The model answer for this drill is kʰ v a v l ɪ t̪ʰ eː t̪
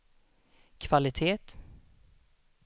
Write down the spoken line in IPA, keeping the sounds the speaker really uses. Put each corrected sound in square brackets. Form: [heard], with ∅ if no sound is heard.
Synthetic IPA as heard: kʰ v a [∅] l ɪ t̪ʰ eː t̪